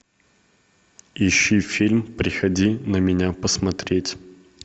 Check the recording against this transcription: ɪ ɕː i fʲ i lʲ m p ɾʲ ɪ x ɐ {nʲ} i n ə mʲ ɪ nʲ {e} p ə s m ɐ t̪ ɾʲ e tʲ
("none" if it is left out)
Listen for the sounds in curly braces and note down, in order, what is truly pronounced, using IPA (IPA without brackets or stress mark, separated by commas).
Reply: dʲ, a